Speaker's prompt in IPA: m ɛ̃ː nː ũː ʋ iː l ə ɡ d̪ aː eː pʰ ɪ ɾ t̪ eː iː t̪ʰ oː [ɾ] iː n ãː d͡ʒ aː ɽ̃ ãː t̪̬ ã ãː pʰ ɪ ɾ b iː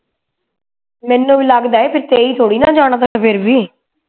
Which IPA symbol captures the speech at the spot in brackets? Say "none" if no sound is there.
ɽ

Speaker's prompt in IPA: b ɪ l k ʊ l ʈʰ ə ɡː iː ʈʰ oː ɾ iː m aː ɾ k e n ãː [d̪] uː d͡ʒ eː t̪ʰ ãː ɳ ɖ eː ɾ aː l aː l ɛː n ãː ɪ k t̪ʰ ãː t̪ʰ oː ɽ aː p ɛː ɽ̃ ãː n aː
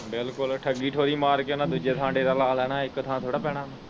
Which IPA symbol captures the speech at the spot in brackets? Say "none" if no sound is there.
d̪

